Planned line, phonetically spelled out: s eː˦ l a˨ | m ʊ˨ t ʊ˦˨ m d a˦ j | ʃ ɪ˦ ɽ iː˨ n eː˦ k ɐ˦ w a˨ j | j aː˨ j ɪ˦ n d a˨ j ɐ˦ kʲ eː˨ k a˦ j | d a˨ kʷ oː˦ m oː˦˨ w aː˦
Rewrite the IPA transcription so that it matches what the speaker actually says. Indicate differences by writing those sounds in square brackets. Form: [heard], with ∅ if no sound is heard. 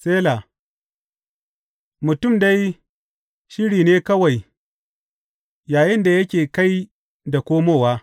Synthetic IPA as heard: s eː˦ l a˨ | m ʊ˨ t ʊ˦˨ m d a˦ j | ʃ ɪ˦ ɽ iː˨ n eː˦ k ɐ˦ w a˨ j | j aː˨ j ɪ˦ n d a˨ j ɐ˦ kʲ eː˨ k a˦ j | d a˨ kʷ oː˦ m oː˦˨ w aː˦